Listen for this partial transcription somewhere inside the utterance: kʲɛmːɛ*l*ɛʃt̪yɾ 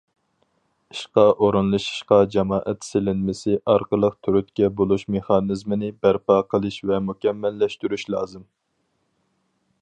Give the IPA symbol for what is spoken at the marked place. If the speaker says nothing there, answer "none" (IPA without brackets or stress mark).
lː